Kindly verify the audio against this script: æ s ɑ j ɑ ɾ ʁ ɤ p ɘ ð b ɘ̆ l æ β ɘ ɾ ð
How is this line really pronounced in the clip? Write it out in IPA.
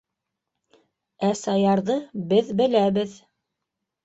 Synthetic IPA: æ s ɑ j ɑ ɾ ð ɤ b ɘ ð b ɘ̆ l æ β ɘ ð